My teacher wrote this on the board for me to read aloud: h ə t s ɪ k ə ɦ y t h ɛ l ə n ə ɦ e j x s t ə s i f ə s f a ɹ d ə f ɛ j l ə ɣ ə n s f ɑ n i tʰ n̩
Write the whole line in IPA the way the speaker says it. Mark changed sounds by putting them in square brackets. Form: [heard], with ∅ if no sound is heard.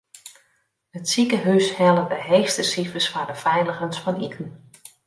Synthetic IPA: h ə t s [i] k ə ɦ y [s] h ɛ l ə [d] ə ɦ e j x s t ə s i f ə s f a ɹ d ə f ɛ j l ə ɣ ə n s f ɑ n i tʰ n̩